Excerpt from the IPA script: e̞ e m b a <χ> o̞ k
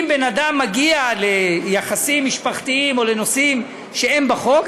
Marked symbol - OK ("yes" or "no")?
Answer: yes